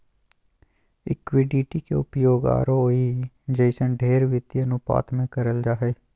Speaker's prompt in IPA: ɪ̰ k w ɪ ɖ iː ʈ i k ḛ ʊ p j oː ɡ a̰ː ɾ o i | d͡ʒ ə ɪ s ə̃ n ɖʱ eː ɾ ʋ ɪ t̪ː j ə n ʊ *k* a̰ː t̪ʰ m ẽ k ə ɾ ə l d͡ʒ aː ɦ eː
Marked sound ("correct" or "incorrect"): incorrect